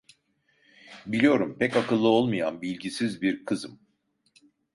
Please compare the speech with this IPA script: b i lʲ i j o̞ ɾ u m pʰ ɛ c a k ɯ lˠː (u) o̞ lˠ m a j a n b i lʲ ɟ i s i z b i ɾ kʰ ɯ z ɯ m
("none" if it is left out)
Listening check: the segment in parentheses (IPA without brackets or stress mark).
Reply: ɯ